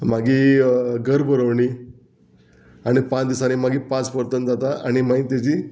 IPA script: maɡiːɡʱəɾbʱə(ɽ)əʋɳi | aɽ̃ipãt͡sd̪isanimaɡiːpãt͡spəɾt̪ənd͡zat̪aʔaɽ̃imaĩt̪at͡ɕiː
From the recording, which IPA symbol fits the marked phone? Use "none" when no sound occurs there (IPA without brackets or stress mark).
ɾ